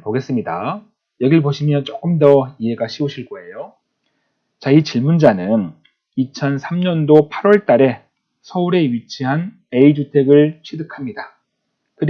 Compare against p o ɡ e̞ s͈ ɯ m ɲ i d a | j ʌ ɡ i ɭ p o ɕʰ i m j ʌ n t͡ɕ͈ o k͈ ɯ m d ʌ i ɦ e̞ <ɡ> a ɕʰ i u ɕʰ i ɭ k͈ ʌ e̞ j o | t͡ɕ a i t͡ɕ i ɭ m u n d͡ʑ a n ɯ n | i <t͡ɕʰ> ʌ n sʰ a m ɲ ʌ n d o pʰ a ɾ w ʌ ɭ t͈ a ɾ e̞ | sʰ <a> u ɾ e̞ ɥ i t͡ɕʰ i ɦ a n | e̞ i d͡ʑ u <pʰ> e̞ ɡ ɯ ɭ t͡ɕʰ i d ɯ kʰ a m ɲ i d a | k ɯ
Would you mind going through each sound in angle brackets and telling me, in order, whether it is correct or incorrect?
correct, correct, incorrect: ʌ, incorrect: tʰ

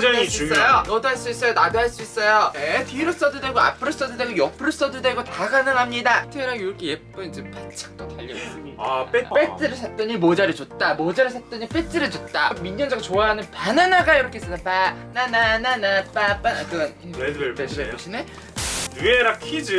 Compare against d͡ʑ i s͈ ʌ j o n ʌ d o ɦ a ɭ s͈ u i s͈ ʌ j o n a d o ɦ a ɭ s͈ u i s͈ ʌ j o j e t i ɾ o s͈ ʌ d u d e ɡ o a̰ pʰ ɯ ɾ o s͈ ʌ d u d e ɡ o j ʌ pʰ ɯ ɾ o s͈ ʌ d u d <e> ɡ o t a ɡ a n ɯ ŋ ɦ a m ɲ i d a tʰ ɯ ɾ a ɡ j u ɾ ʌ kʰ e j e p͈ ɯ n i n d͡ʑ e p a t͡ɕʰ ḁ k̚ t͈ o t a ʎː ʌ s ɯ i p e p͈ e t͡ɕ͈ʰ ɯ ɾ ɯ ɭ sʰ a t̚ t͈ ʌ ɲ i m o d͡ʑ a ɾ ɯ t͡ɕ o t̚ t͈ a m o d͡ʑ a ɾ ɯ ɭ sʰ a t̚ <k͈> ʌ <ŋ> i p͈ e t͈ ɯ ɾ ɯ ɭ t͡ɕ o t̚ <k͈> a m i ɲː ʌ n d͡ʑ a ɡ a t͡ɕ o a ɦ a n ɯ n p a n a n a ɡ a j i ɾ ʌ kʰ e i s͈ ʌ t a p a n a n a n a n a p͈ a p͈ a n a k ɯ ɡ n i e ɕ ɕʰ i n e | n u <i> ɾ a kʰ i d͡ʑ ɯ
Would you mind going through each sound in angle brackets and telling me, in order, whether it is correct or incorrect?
correct, incorrect: t͈, incorrect: ɲ, incorrect: t͈, incorrect: e

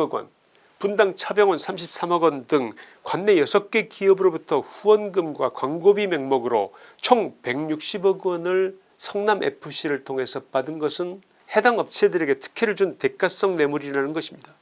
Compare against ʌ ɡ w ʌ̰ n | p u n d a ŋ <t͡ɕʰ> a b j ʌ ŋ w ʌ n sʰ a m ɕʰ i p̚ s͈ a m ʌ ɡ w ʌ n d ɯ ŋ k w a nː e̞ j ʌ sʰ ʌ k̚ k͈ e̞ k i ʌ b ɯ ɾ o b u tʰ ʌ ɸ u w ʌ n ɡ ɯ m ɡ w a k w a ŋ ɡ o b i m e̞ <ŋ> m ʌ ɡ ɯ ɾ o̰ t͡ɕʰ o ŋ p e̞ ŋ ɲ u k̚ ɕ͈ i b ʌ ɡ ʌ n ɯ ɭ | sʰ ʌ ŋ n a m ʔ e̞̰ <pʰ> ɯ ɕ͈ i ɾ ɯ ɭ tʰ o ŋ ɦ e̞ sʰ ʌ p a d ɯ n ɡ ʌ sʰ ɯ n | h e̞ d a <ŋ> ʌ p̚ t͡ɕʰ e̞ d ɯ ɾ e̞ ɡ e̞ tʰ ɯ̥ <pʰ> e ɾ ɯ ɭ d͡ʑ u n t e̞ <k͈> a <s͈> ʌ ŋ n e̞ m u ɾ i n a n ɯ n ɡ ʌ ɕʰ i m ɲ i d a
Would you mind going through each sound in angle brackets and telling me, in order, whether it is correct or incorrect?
correct, correct, correct, correct, incorrect: kʰ, correct, correct

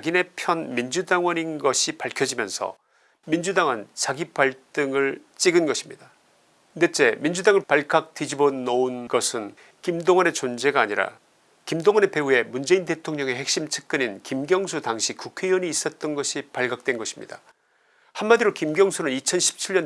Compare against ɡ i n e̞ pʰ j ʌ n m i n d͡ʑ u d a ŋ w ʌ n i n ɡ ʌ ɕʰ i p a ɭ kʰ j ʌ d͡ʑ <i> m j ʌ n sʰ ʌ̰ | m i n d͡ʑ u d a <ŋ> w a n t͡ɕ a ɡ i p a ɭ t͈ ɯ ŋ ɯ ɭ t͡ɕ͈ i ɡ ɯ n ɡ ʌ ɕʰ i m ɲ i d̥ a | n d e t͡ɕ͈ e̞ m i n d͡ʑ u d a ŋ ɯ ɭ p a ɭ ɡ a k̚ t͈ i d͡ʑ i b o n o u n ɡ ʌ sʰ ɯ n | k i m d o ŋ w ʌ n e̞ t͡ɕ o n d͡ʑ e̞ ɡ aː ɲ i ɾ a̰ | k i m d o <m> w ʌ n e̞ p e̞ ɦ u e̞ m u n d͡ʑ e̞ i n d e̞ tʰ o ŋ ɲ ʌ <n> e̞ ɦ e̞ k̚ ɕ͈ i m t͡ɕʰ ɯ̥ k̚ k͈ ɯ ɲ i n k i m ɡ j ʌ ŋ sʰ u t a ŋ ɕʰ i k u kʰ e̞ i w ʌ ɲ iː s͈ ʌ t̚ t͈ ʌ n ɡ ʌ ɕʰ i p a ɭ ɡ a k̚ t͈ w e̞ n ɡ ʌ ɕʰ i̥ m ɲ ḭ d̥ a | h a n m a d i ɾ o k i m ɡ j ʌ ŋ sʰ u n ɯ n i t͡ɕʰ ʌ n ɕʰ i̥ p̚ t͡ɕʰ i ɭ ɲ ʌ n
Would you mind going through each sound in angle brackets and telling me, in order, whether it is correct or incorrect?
correct, correct, incorrect: ŋ, incorrect: ŋ

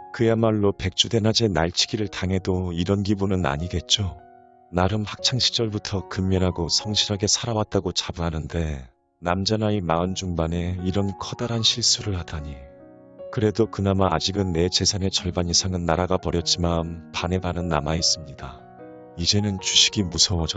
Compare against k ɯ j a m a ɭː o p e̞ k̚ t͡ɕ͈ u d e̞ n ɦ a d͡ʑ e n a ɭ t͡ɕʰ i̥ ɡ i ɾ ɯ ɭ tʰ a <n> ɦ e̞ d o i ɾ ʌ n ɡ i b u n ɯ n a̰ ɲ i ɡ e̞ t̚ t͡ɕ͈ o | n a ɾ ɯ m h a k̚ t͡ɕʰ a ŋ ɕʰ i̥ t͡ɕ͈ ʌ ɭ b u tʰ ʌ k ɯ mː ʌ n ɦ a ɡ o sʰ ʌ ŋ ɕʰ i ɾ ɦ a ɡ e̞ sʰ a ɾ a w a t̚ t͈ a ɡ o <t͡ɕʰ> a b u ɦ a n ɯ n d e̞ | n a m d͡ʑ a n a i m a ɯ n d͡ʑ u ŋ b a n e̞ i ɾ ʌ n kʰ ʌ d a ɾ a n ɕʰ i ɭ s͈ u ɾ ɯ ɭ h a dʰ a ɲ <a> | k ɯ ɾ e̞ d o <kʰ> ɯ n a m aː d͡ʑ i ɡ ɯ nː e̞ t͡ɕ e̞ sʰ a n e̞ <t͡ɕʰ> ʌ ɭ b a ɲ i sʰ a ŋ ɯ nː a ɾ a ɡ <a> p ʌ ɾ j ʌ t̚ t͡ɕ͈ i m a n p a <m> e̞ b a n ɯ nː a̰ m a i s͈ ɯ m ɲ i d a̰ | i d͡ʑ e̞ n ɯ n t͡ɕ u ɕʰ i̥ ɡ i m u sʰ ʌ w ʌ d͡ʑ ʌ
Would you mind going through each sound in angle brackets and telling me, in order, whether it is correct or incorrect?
incorrect: ŋ, incorrect: t͡ɕ, incorrect: i, incorrect: k, incorrect: t͡ɕ, correct, incorrect: n

